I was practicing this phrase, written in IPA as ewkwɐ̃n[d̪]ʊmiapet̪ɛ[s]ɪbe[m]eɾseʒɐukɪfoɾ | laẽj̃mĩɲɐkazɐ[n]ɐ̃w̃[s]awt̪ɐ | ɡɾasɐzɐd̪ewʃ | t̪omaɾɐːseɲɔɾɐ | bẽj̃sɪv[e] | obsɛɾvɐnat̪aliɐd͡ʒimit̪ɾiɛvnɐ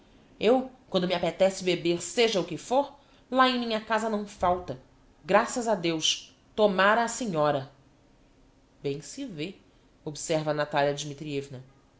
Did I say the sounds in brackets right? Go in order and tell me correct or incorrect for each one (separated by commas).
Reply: correct, correct, incorrect, correct, incorrect, correct